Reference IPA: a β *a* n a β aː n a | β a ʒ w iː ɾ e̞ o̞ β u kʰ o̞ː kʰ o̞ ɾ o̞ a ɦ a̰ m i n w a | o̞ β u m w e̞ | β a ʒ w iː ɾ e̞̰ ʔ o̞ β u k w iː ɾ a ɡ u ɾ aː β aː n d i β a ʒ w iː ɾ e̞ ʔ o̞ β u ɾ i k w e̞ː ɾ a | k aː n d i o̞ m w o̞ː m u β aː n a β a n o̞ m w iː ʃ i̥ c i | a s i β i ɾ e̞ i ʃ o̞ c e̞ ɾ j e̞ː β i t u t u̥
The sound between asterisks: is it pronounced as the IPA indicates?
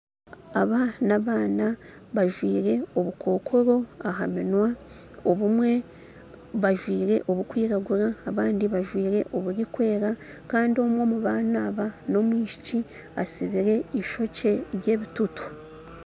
yes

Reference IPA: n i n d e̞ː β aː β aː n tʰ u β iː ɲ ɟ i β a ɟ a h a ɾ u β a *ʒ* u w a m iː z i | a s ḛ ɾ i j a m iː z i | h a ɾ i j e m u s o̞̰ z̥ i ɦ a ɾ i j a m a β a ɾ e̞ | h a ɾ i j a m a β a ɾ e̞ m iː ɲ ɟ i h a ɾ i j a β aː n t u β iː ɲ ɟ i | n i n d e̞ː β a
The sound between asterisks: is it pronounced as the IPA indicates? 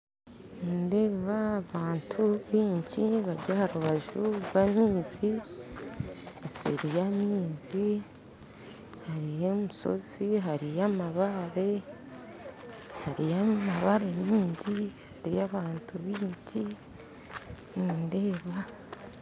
yes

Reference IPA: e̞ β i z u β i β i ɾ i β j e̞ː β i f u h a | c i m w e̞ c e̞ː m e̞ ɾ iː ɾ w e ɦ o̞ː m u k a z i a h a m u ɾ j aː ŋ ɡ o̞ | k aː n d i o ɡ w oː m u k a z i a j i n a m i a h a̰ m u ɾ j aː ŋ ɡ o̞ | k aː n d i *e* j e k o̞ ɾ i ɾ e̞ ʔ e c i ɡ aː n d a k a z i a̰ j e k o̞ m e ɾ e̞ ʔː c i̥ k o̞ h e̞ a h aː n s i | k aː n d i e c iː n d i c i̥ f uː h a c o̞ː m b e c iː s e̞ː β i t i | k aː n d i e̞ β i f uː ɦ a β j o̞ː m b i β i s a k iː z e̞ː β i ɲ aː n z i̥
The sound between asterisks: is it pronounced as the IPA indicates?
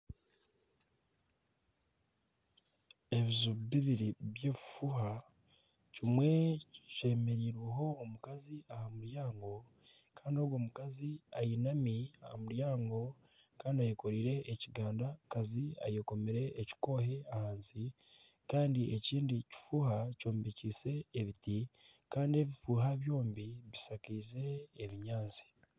no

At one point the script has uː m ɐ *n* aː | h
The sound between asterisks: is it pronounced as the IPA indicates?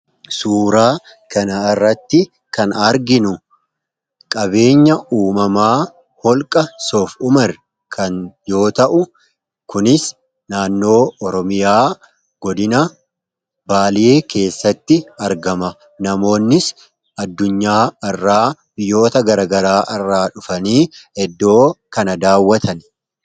no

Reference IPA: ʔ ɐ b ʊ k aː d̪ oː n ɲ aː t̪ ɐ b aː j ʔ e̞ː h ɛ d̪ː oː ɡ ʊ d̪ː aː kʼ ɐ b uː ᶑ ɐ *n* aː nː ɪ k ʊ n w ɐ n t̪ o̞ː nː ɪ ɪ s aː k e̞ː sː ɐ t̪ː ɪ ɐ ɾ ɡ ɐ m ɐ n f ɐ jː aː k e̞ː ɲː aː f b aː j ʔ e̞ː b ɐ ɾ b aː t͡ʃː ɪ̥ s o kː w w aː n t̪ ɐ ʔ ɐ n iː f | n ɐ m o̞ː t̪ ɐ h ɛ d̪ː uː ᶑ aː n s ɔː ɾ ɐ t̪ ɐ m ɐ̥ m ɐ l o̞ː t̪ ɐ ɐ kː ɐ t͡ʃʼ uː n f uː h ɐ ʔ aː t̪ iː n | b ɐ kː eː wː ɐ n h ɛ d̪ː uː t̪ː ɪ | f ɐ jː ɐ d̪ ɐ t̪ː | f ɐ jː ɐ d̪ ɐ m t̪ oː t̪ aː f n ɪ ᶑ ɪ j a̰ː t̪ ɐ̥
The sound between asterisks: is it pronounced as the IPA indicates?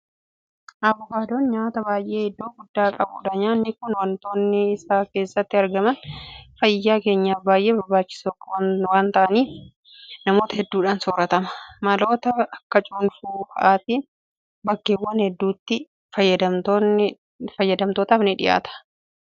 no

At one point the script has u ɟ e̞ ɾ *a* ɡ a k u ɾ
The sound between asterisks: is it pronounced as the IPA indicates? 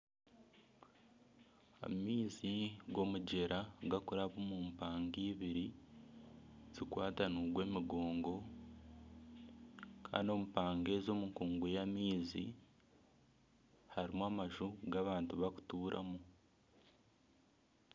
yes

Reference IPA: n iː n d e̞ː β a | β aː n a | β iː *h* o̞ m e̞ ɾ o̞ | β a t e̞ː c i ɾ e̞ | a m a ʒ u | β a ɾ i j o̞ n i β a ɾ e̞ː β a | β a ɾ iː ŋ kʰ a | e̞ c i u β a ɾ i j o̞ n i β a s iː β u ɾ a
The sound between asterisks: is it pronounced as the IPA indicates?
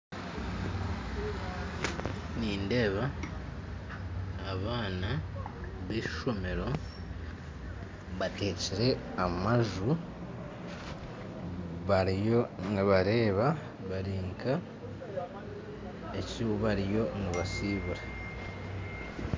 no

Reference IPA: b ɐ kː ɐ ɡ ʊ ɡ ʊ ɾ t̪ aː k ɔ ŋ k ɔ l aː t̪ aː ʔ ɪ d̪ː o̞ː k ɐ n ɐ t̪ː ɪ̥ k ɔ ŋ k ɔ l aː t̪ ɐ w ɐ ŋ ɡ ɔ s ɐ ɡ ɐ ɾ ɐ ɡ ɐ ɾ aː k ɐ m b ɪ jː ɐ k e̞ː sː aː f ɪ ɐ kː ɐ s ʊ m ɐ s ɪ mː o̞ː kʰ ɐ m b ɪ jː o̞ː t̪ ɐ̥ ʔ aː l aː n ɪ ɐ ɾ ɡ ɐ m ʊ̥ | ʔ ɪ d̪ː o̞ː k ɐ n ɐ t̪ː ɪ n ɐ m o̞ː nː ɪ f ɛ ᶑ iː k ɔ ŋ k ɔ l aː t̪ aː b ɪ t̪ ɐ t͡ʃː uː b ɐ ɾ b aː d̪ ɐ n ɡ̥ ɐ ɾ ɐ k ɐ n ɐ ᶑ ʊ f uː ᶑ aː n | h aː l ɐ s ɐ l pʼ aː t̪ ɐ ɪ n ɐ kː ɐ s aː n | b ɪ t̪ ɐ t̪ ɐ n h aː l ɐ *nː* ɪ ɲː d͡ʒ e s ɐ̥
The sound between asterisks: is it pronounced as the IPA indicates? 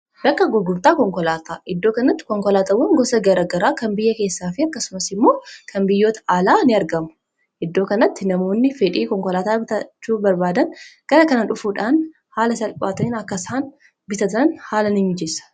no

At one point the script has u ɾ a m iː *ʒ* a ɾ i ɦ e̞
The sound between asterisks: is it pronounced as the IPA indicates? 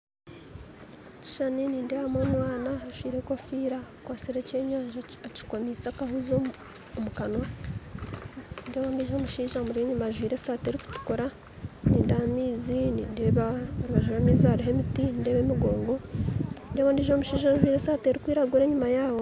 no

